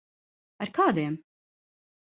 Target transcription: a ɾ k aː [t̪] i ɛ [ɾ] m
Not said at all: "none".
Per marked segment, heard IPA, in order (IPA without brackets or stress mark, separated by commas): d̪, none